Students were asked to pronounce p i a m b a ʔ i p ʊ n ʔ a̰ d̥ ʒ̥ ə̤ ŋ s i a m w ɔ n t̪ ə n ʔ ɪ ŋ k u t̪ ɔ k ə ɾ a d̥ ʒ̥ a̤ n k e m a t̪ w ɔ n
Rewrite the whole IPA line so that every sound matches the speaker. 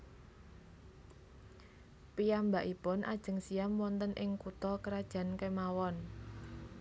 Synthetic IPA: p i a m b a ʔ i p ʊ n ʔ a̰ d̥ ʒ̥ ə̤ ŋ s i a m w ɔ n t̪ ə n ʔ ɪ ŋ k u t̪ ɔ k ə ɾ a d̥ ʒ̥ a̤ n k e m a w ɔ n